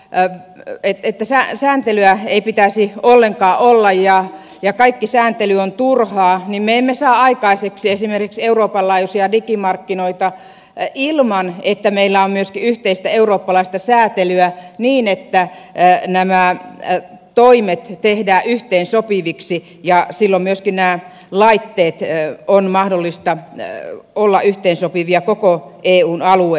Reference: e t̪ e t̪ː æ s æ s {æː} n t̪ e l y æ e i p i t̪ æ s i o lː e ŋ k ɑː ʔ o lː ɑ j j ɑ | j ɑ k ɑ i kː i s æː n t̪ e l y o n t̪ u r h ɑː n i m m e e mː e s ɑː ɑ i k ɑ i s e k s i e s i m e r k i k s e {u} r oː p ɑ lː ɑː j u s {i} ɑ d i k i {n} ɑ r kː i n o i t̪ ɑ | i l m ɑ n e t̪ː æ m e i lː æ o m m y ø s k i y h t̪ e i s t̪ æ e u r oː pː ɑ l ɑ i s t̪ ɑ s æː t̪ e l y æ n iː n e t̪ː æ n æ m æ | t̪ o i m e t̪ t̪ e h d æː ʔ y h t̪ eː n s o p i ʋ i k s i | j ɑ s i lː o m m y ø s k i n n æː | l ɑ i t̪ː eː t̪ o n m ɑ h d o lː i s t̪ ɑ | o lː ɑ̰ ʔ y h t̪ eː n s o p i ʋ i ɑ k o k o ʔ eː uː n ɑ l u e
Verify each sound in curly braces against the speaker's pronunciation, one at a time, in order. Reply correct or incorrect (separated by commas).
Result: correct, correct, correct, incorrect